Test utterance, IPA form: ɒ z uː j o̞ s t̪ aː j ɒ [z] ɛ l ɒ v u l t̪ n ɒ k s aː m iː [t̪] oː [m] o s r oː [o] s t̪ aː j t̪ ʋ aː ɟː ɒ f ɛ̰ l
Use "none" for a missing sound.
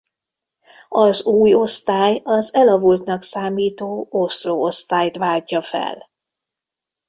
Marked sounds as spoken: z, t̪, none, o

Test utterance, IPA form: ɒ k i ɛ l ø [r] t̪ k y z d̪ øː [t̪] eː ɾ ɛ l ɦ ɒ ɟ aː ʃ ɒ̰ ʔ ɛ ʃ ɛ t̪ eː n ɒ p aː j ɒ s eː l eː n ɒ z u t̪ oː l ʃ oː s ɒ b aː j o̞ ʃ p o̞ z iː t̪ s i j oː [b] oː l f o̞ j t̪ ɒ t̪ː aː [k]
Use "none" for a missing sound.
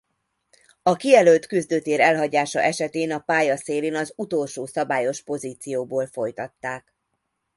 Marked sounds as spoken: l, t̪, b, k

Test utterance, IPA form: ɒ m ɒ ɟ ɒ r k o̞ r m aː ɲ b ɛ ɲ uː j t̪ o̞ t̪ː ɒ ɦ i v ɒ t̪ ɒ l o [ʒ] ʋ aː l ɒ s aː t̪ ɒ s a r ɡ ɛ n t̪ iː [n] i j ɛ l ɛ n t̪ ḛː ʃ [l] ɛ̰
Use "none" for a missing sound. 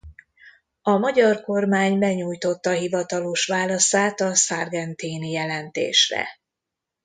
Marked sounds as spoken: ʃ, n, r

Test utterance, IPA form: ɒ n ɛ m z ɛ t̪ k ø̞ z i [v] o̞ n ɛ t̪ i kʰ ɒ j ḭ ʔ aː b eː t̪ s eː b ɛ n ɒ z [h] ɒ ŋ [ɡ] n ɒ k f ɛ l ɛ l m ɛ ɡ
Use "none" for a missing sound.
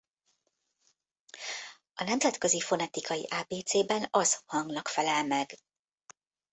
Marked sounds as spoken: f, h, ɡ

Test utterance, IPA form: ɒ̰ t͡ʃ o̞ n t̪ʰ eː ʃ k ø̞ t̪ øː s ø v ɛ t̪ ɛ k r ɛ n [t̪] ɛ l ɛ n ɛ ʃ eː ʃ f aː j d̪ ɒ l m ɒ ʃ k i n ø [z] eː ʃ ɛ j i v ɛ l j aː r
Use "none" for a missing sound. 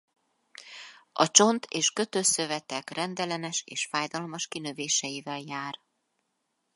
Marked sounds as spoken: d̪, v

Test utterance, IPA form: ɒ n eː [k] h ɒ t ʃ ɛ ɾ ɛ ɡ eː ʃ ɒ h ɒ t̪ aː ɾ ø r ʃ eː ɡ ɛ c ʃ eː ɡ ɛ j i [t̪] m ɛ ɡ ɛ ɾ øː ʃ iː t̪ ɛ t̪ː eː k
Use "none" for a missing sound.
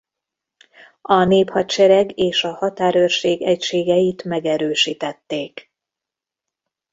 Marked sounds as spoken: p, t̪

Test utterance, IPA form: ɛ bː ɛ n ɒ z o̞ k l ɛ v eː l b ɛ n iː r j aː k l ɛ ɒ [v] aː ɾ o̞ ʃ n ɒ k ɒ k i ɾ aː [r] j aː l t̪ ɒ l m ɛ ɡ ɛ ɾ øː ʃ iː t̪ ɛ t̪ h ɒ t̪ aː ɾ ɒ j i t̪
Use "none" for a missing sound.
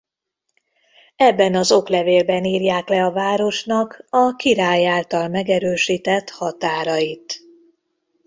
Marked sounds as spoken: v, none

